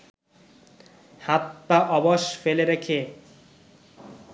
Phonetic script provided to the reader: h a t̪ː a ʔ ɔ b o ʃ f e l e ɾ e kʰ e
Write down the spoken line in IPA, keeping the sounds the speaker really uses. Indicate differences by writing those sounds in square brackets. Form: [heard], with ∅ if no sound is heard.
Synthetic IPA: h a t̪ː a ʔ ɔ b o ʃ f e l e ɾ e kʰ e

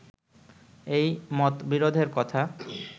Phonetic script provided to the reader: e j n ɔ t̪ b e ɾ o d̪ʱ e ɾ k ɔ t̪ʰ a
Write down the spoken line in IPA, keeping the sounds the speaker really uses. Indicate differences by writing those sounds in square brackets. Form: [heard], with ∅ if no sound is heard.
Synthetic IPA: e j [m] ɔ t̪ b [i] ɾ o d̪ʱ e ɾ k ɔ t̪ʰ a

